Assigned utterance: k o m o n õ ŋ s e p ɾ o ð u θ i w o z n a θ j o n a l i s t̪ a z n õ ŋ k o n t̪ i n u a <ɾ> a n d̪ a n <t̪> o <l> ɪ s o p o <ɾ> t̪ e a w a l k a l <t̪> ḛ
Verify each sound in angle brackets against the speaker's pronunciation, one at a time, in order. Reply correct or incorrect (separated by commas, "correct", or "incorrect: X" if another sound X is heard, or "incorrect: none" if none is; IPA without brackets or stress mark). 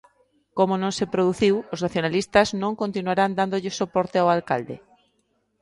correct, incorrect: d̪, incorrect: ʎ, correct, incorrect: d̪